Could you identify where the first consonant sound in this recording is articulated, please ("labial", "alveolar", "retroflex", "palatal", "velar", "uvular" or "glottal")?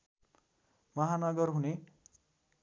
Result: labial